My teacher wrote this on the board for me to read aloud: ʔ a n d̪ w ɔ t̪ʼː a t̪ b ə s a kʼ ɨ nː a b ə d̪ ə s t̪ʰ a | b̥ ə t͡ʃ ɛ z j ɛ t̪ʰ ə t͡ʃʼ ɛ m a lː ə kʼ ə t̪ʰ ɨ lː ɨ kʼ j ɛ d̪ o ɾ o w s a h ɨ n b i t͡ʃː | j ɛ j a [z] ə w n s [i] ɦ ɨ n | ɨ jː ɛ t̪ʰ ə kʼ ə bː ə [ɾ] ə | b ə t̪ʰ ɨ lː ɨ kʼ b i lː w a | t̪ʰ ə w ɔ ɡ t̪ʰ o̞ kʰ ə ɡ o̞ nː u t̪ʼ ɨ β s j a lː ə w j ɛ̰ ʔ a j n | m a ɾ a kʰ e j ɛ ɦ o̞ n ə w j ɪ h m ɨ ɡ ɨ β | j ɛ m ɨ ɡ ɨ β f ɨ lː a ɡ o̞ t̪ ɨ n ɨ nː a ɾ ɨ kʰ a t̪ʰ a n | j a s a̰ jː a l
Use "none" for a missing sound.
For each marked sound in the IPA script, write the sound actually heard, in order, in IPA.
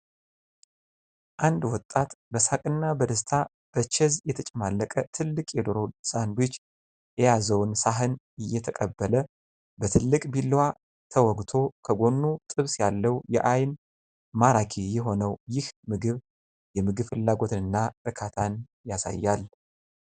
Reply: z, a, l

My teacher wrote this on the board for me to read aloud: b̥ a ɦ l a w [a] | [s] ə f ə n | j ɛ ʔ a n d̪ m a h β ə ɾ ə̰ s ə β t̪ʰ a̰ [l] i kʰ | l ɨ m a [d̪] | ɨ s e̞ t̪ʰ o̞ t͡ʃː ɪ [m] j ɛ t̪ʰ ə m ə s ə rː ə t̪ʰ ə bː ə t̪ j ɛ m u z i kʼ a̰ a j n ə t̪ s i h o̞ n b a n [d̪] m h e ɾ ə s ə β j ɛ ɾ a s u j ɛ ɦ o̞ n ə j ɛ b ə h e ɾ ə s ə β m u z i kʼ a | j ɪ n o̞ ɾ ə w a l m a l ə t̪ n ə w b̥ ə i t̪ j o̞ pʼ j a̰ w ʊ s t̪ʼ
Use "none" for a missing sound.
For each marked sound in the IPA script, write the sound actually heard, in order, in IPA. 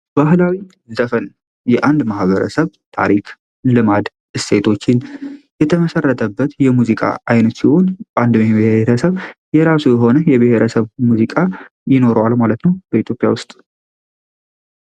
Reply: i, z, ɾ, d̪, n, d̪

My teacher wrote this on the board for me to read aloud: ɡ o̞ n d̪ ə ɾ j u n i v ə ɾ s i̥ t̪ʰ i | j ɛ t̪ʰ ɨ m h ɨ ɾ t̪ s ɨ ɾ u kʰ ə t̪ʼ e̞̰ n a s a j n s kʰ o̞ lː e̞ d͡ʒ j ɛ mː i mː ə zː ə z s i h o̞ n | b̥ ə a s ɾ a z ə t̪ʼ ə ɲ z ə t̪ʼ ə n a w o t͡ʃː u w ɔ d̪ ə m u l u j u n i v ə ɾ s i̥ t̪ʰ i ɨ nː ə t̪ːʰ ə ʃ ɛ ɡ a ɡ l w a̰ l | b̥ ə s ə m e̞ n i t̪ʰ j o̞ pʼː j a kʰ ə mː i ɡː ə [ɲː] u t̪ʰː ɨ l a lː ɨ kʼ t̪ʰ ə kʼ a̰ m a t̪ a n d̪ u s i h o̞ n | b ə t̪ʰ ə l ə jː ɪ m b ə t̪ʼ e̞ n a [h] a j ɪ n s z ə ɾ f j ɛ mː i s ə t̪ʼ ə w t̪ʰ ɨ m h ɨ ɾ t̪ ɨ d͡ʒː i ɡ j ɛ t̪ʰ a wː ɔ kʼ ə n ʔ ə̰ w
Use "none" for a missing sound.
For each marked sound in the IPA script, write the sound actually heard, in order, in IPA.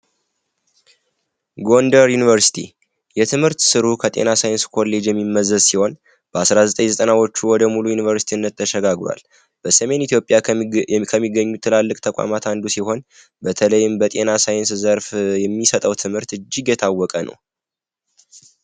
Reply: ɲː, s

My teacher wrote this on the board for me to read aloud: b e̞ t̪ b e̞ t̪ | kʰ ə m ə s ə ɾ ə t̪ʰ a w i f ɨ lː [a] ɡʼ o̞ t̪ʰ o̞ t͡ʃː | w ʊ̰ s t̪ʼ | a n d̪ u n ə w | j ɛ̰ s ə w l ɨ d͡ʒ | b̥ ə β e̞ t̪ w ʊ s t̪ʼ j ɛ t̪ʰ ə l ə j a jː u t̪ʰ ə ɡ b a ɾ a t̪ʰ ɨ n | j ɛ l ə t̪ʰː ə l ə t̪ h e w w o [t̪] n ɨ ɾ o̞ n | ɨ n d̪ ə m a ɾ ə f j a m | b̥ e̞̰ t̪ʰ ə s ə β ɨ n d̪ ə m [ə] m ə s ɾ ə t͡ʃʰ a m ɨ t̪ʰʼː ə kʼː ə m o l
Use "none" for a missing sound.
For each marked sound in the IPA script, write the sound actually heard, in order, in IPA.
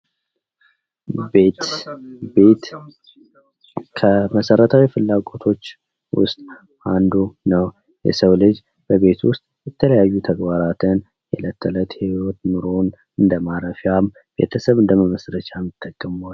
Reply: a, t̪, ə

